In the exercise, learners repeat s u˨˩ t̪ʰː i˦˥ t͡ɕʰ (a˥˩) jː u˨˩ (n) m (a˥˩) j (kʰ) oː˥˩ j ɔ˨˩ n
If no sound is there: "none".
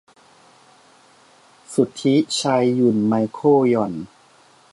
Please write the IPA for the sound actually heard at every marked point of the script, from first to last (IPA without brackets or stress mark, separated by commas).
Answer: a˧, n, a˧, kʰ